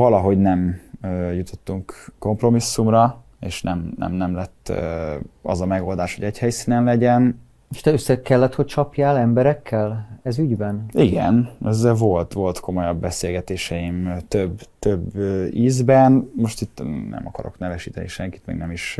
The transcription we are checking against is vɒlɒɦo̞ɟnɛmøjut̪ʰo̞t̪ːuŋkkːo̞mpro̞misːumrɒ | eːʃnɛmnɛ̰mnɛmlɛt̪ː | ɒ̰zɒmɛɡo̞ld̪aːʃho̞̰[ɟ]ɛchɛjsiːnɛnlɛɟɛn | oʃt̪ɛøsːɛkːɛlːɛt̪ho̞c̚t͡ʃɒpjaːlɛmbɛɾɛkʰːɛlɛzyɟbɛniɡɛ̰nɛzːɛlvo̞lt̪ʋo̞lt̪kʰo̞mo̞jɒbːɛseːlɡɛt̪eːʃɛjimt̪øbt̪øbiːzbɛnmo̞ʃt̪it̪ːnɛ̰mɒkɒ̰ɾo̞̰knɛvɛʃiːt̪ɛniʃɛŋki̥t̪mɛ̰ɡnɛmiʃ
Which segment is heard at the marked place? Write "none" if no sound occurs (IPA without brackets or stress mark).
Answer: ɟ